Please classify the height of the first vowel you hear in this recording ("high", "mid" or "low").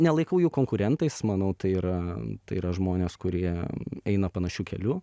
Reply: mid